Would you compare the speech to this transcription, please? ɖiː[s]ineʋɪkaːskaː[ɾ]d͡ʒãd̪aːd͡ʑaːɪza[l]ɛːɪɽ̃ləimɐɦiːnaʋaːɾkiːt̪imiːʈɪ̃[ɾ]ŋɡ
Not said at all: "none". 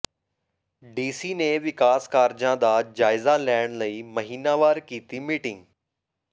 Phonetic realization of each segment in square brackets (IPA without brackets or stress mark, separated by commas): s, ɾ, l, none